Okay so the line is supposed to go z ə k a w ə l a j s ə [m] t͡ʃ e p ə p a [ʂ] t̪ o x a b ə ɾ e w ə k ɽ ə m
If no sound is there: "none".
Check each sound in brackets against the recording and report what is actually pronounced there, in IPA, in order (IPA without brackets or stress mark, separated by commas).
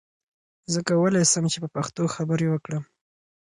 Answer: m, x